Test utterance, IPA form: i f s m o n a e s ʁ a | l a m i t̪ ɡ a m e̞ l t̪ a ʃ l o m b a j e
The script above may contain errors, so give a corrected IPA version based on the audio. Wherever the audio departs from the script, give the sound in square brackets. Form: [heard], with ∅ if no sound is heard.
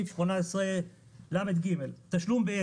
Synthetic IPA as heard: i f [ʃ] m o n a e s ʁ [e] | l a m [e] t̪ ɡ [i] m e̞ l t̪ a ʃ l [u] m b [e] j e